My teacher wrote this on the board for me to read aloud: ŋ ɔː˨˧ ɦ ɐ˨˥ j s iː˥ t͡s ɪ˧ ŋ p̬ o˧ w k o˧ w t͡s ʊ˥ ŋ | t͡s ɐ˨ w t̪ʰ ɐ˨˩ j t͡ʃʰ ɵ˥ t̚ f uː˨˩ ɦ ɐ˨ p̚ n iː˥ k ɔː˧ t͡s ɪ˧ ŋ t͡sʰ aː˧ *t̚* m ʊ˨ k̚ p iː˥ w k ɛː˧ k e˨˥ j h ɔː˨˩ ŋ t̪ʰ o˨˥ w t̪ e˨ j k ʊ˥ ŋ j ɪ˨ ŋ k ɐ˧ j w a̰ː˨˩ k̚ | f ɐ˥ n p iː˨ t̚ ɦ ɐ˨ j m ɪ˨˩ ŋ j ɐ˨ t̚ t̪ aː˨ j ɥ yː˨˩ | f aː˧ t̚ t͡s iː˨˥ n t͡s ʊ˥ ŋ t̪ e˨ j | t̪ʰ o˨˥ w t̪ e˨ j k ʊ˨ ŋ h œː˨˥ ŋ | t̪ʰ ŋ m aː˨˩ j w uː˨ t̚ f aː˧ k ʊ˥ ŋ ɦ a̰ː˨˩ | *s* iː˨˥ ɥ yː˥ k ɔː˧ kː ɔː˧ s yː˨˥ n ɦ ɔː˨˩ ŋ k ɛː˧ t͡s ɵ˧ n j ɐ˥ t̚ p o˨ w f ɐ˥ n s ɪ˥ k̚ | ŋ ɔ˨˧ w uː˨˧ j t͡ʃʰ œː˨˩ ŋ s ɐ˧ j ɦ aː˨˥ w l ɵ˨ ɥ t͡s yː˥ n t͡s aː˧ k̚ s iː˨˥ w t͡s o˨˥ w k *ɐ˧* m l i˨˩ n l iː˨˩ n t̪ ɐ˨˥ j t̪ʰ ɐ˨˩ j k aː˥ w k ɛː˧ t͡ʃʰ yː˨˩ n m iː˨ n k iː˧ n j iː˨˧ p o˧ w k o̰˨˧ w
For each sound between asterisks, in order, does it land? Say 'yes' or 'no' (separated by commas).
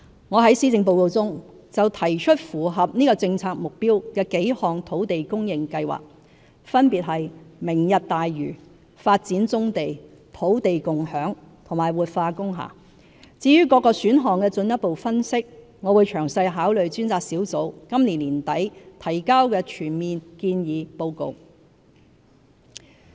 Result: no, no, no